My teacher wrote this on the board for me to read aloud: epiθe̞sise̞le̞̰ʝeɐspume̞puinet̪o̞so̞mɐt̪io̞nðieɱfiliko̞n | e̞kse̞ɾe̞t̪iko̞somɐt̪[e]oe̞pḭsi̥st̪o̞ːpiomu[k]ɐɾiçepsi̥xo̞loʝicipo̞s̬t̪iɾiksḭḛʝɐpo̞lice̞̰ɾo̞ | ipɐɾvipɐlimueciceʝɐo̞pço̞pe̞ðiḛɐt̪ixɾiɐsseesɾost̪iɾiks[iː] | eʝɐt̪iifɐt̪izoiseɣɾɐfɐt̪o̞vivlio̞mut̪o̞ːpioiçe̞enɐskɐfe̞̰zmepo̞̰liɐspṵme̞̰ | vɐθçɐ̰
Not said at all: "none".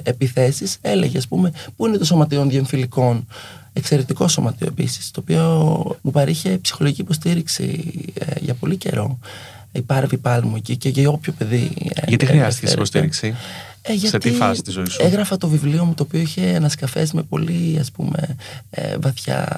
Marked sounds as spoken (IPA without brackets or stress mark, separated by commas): i, p, i